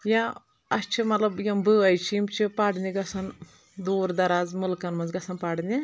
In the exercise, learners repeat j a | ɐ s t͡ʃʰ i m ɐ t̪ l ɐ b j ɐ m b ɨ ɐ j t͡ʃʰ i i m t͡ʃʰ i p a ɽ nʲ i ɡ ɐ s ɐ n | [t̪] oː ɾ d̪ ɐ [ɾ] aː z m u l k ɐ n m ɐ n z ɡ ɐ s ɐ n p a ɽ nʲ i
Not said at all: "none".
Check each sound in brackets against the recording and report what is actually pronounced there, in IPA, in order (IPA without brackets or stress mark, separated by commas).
d̪, ɾ